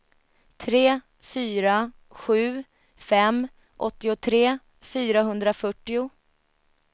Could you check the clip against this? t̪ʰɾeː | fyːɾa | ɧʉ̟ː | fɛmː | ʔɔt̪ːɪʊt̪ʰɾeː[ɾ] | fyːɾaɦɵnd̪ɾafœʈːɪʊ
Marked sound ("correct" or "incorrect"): incorrect